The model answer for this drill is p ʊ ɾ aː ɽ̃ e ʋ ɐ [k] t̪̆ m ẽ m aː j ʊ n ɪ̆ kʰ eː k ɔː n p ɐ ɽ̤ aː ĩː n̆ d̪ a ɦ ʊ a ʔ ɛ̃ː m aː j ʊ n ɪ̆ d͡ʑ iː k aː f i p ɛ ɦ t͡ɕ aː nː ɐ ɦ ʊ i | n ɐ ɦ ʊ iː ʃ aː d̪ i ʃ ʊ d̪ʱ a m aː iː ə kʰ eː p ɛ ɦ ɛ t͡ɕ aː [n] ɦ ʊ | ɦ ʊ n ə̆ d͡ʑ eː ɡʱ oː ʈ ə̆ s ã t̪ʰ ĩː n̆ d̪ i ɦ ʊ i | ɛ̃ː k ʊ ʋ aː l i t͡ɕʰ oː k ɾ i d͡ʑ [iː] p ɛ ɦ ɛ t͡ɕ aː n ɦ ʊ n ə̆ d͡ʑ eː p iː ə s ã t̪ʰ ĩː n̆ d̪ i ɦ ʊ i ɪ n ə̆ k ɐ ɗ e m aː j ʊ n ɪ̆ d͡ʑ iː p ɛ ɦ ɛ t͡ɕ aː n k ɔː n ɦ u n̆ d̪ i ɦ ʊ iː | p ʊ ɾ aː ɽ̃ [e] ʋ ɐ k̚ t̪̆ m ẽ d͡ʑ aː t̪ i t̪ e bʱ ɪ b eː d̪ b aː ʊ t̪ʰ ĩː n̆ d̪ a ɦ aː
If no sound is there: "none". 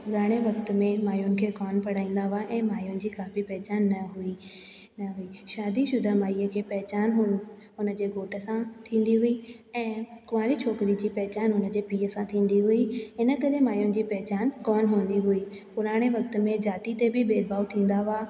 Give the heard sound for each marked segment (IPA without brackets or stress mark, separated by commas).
k, n, iː, e